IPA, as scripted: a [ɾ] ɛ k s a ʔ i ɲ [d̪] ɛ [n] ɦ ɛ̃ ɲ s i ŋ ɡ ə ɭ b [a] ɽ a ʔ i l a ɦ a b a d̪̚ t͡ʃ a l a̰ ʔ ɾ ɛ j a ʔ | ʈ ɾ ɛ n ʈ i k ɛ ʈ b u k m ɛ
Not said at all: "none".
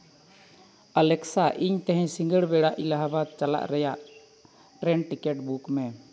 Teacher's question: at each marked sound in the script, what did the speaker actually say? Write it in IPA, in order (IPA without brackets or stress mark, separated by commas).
l, t̪, none, ɛ